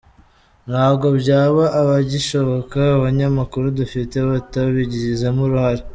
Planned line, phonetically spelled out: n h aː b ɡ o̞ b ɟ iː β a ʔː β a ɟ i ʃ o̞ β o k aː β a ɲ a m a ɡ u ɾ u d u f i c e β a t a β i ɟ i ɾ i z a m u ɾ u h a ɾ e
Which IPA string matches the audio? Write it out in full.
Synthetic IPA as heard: n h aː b ɡ o̞ b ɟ aː β a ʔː β a ɟ i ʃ o̞ β o k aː β a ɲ a m a k u ɾ u d u f i t e β a t a β i ɟ i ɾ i z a m u ɾ u h a ɾ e